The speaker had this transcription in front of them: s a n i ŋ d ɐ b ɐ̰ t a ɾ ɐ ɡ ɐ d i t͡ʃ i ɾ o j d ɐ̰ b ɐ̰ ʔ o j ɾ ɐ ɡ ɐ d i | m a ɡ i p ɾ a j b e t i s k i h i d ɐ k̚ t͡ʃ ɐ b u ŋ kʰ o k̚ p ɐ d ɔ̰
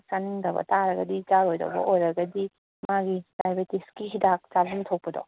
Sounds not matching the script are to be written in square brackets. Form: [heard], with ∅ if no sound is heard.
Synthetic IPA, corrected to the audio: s a n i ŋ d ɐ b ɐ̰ t a ɾ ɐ ɡ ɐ d i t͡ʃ [a] ɾ o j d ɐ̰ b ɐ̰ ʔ o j ɾ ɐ ɡ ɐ d i | m a ɡ i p ɾ a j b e t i s k i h i d [a] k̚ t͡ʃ [a] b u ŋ [tʰ] o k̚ p ɐ d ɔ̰